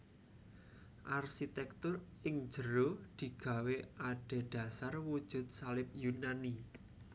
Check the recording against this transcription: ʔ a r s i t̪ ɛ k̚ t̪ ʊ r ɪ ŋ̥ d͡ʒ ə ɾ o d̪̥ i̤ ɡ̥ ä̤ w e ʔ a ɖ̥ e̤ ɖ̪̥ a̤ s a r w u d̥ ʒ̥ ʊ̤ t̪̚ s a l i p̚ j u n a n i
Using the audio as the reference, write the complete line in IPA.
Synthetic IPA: ʔ a r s i t̪ ɛ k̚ t̪ ʊ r ɪ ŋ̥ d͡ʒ ə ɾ o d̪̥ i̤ ɡ̥ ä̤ w e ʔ a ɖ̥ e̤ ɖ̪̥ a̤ s a r w u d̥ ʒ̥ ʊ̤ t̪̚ s a l ɪ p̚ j u n a n i